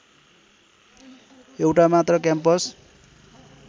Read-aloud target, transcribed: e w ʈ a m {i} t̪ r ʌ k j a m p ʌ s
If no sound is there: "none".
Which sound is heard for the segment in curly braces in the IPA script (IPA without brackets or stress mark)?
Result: a